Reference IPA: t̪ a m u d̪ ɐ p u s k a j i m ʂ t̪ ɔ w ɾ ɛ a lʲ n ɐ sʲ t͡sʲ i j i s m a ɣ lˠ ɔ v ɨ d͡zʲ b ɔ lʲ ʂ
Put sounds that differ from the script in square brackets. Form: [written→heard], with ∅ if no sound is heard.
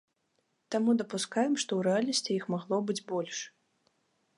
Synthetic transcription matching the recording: t̪ a m u d̪ ɐ p u s k a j [i→ɛ] m ʂ t̪ ɔ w ɾ ɛ a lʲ n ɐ sʲ t͡sʲ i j i [s→x] m a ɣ lˠ ɔ [v→b] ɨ d͡zʲ b ɔ lʲ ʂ

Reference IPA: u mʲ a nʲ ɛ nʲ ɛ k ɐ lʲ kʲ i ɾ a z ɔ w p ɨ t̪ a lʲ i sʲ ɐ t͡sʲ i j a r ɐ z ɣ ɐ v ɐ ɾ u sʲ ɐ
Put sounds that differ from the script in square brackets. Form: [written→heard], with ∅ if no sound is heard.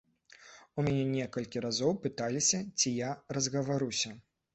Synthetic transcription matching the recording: u mʲ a nʲ ɛ nʲ ɛ k ɐ lʲ kʲ i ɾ a z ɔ w p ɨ t̪ a lʲ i sʲ ɐ t͡sʲ i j a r ɐ z ɣ ɐ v [ɐ→a] ɾ u sʲ ɐ

